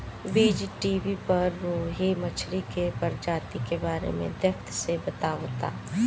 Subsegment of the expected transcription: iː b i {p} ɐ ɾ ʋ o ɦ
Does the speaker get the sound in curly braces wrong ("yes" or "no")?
no